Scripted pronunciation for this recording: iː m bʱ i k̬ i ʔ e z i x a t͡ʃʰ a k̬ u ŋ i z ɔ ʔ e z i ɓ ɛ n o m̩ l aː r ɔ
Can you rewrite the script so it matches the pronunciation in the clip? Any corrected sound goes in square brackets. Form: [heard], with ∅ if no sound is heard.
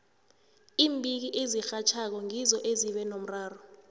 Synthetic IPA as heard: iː m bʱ i k̬ i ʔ e z i x a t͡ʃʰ a k̬ [ɔ] ŋ i z ɔ ʔ e z i ɓ ɛ n o m̩ [r] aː r ɔ